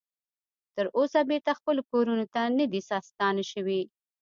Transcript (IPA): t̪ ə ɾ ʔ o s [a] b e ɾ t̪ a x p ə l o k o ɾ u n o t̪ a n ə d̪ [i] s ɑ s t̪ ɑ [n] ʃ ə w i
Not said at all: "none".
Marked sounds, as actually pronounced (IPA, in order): a, i, n

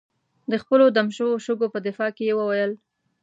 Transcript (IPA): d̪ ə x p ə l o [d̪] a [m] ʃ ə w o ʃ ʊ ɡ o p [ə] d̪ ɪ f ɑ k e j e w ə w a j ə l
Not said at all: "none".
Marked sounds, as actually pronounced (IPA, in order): d̪, m, ə

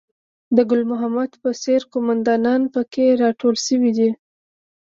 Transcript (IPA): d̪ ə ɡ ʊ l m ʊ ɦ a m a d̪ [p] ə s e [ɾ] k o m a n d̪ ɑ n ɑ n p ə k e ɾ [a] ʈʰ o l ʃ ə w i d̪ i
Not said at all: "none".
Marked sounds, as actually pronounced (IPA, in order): p, ɾ, ɑ

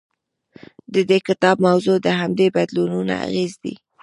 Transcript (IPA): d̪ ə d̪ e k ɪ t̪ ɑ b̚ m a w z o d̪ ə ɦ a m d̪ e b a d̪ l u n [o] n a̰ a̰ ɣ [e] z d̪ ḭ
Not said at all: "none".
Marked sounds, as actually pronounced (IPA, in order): u, e

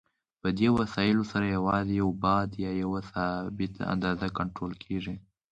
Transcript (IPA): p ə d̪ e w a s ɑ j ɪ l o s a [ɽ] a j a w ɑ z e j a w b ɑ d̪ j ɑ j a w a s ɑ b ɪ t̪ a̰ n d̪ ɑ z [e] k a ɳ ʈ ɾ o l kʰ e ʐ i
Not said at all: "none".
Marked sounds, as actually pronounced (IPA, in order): ɾ, a

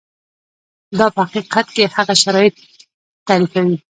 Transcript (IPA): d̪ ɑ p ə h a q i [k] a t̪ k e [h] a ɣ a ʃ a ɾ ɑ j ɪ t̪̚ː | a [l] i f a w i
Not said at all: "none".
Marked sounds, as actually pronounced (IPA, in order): q, h, ɾ

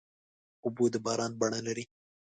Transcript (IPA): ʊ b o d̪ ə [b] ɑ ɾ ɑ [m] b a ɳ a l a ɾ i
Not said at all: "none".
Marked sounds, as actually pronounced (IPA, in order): b, n

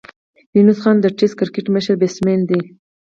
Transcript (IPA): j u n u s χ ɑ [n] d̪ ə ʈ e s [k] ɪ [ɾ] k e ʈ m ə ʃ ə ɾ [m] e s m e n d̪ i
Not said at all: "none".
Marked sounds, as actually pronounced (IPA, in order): n, k, ɾ, b

